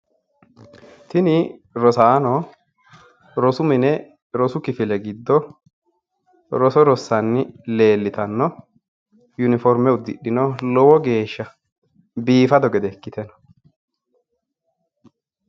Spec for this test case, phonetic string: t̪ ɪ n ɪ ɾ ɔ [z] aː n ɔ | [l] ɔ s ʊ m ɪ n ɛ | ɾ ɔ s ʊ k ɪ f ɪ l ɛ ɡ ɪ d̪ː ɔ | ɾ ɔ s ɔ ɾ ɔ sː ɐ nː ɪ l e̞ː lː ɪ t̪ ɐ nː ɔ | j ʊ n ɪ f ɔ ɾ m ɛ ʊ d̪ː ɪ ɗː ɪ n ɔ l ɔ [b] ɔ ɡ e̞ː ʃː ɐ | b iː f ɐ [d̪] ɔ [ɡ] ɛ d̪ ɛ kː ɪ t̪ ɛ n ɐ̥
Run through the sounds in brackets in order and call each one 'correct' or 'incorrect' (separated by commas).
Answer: incorrect, incorrect, incorrect, correct, correct